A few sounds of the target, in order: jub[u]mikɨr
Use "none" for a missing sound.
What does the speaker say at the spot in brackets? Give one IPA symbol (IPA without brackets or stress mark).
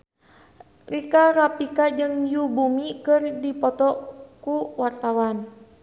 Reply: u